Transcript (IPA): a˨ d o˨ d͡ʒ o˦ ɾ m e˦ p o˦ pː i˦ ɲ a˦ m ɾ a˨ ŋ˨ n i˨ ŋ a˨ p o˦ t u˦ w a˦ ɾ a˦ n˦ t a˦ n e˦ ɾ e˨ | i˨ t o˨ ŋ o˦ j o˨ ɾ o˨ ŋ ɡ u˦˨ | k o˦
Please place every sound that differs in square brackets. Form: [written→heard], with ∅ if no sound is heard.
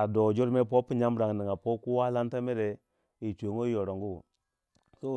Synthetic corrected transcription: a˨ d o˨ d͡ʒ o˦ ɾ m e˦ p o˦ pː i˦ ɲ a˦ m ɾ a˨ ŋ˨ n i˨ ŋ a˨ p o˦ [t→k] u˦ w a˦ [ɾ→l] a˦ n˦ t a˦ [n→m] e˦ ɾ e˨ | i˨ [t→t͡ʃ] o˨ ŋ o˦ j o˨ ɾ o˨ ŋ ɡ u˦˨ | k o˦

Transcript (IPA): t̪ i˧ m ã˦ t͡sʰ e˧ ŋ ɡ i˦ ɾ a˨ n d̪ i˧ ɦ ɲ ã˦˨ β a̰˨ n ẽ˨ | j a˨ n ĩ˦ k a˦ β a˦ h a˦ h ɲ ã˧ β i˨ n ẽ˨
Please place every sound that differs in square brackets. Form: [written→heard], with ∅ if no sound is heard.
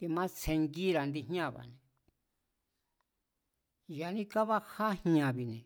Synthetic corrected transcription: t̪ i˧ m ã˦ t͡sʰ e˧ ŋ ɡ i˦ ɾ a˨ n d̪ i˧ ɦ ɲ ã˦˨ β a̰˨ n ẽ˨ | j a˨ n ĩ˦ k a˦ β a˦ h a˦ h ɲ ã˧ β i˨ n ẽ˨

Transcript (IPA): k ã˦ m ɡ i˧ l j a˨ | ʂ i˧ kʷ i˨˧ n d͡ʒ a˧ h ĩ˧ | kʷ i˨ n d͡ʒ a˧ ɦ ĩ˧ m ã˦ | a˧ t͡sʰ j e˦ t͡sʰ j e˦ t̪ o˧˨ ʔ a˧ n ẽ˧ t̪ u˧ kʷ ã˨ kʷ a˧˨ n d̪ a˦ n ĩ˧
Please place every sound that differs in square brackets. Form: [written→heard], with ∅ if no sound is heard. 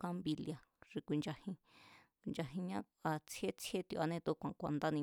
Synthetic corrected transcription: k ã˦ m [ɡ→b] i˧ l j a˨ | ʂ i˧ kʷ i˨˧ n d͡ʒ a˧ h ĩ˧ | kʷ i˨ n d͡ʒ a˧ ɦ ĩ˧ [m→ɲ] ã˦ | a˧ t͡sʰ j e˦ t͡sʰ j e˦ t̪ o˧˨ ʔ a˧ n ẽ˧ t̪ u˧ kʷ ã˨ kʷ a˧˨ n d̪ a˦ n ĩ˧

